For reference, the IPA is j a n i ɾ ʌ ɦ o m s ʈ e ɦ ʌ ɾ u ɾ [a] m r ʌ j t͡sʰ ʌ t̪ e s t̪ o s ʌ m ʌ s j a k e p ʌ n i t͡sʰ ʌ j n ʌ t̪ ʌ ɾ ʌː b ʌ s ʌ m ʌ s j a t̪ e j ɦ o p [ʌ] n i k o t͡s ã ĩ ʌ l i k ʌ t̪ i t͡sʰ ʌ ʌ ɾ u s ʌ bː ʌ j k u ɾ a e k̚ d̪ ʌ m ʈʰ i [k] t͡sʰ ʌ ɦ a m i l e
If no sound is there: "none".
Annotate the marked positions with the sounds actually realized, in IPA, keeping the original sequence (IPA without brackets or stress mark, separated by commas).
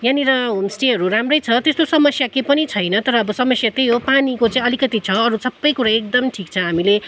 a, a, k